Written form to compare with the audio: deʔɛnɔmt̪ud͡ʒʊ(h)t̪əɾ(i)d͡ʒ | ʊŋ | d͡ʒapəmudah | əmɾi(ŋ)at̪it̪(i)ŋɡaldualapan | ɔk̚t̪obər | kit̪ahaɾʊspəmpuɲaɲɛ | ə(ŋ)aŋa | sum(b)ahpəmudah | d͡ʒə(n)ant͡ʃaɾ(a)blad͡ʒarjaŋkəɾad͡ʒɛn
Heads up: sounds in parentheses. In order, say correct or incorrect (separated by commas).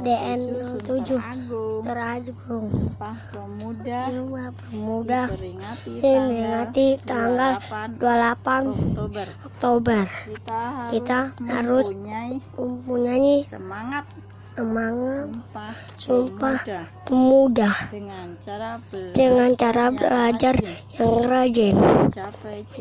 correct, incorrect, correct, incorrect, incorrect, incorrect, incorrect, correct